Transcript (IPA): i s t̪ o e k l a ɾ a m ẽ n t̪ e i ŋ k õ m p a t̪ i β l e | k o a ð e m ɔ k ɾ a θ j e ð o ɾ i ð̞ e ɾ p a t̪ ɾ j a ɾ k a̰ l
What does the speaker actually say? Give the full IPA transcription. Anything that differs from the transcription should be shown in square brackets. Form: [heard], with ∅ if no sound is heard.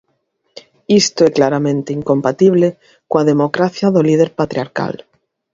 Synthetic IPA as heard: i s t̪ o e k l a ɾ a m ẽ n t̪ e i ŋ k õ m p a t̪ i β l e | k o a ð e m [o] k ɾ a θ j [a] ð o [l] i ð̞ e ɾ p a t̪ ɾ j a ɾ k a̰ l

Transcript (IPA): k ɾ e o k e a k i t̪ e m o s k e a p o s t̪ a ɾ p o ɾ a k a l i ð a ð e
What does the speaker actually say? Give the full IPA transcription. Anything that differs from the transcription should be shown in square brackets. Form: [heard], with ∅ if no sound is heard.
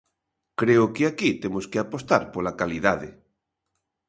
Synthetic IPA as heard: k ɾ e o k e a k i t̪ e m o s k e a p o s t̪ a ɾ p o [l] a k a l i ð a ð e

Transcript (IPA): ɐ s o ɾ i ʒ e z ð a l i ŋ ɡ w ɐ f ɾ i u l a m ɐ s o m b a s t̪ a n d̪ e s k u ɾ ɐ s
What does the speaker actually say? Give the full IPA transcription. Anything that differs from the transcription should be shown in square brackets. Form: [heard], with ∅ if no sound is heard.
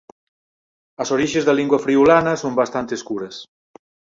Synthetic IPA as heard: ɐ s o ɾ i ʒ e z ð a l i ŋ ɡ w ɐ f ɾ i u l a [n] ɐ s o m b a s t̪ a n [t̪] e s k u ɾ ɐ s

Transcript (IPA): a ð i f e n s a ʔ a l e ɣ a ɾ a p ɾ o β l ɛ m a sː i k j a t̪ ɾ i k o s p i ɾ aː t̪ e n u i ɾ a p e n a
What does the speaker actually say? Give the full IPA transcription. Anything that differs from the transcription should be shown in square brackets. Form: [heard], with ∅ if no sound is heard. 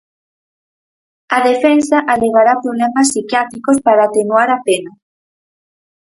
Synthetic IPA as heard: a ð [e] f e n s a ʔ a l e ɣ a ɾ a p ɾ o β l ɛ m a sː i k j a t̪ ɾ i k o s p [a] ɾ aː t̪ e n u [a] ɾ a p e n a

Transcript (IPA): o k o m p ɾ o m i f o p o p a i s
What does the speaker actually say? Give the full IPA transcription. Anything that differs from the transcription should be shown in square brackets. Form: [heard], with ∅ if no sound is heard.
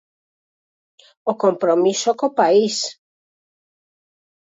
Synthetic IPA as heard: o k o m p ɾ o m i [s] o [k] o p a i s

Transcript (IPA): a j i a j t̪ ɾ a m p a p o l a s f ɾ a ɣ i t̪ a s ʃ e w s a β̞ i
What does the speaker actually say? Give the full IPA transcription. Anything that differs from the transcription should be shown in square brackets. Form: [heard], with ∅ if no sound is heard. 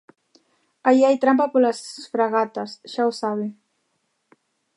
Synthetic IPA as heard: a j i a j t̪ ɾ a m p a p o l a s f ɾ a ɣ [a] t̪ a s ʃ [a] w s a β̞ i

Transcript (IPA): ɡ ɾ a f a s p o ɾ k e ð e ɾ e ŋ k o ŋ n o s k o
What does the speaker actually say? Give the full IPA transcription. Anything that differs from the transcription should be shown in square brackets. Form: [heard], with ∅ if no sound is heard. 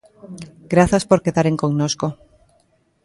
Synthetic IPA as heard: ɡ ɾ a [θ] a s p o ɾ k e ð [a] ɾ e ŋ k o ŋ n o s k o

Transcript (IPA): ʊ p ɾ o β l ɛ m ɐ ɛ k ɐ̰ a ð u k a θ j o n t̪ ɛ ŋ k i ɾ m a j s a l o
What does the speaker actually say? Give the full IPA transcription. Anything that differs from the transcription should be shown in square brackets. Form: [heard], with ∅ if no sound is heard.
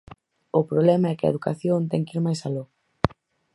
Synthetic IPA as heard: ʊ p ɾ o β l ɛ m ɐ ɛ k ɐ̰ [e] ð u k a θ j o n t̪ ɛ ŋ k i ɾ m a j s a l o

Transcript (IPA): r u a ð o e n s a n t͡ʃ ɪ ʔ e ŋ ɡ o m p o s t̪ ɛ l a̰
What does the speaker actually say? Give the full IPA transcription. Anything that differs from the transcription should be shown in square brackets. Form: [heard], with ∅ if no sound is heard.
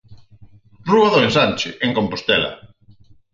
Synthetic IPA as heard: r u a ð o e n s a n t͡ʃ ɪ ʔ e ŋ [k] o m p o s t̪ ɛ l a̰

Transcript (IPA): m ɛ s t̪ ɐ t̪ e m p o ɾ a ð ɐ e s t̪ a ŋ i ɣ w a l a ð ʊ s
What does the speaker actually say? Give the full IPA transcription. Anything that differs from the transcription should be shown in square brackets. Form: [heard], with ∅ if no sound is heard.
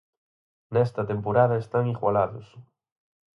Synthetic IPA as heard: [n] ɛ s t̪ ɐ t̪ e m p o ɾ a ð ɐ e s t̪ a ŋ i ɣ w a l a ð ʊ s

